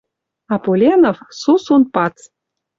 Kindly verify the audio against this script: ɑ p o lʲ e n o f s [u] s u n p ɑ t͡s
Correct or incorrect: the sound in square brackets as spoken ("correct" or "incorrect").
correct